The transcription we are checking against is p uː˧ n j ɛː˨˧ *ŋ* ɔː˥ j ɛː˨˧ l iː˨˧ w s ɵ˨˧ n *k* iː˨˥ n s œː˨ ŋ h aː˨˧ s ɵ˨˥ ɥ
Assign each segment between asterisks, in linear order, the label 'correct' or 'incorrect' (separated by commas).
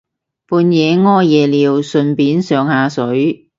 correct, incorrect